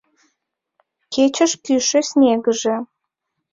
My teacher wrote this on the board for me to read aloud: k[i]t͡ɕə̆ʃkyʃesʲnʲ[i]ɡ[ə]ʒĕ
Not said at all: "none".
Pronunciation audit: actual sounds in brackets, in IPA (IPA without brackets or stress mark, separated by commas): e, e, ə